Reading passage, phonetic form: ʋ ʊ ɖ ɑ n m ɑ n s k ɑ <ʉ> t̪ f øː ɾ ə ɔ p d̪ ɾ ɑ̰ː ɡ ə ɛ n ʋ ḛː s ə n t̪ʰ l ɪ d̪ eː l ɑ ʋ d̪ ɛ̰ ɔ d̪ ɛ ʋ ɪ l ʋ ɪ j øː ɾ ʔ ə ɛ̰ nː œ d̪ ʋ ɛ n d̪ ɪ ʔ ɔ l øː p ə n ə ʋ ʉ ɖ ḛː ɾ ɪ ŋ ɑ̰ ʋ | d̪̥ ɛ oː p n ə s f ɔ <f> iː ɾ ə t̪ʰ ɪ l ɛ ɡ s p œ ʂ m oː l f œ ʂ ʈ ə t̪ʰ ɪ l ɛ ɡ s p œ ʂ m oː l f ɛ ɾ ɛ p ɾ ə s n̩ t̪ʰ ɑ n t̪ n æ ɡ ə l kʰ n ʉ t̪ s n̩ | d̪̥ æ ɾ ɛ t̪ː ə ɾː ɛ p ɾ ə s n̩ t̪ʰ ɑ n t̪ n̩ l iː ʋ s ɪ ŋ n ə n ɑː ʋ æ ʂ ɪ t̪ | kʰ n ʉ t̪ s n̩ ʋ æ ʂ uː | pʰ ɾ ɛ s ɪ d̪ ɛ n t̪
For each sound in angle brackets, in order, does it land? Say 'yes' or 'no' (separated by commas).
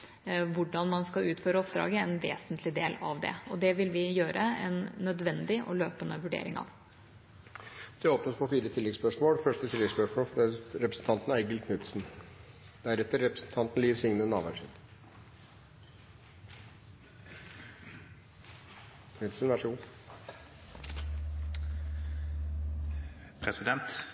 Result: no, yes